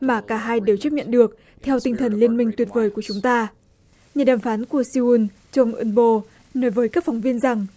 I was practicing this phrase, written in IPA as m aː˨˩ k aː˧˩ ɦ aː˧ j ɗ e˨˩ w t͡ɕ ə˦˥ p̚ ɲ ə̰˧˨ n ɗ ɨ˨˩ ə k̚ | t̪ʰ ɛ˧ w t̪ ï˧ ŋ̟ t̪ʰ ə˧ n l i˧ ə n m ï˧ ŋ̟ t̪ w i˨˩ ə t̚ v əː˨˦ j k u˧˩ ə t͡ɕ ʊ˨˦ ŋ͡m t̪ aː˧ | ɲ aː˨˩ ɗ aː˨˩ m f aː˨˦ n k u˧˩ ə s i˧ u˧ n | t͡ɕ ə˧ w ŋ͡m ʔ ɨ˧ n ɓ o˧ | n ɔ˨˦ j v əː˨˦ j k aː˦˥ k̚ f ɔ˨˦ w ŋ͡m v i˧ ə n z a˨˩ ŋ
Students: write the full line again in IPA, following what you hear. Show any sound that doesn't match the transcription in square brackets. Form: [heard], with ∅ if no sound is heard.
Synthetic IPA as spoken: m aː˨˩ k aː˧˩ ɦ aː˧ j ɗ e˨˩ w t͡ɕ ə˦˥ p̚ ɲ ə̰˧˨ n ɗ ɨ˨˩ ə k̚ | t̪ʰ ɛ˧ w t̪ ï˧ ŋ̟ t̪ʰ [ə˨˩] n l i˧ ə n m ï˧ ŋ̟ t̪ w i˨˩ ə t̚ v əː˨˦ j k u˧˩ ə t͡ɕ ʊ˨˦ ŋ͡m t̪ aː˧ | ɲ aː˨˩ ɗ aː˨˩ m f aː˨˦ n k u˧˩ ə s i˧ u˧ n | t͡ɕ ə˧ w ŋ͡m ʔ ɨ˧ n ɓ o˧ | n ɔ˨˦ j v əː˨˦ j k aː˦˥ k̚ f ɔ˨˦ w ŋ͡m v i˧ ə n z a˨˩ ŋ